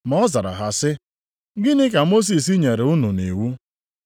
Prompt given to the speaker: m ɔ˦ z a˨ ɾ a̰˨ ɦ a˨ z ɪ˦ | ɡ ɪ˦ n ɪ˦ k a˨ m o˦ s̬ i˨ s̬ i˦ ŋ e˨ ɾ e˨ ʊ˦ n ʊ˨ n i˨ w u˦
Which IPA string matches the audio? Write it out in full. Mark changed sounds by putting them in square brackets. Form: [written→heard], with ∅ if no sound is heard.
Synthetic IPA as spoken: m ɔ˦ z a˨ ɾ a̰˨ ɦ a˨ [z→s] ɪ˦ | ɡ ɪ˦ n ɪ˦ k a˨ m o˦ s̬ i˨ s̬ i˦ [ŋ→ɲ] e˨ ɾ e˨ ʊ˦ n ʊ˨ n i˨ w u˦